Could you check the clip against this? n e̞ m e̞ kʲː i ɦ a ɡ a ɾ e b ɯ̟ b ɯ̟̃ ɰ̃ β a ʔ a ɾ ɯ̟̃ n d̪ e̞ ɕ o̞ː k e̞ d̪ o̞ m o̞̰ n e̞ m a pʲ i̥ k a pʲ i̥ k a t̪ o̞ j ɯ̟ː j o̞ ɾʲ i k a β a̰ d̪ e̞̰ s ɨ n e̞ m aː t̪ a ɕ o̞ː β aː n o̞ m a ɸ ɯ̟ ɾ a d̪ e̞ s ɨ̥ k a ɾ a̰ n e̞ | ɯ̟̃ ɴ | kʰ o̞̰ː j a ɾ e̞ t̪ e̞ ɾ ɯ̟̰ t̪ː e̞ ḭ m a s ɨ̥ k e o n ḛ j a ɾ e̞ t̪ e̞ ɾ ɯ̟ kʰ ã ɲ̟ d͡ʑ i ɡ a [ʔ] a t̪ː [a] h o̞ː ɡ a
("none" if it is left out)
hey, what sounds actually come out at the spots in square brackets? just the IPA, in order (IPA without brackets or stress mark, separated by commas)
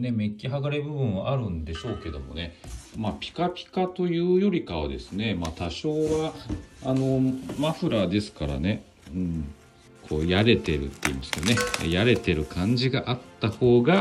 ʔ, a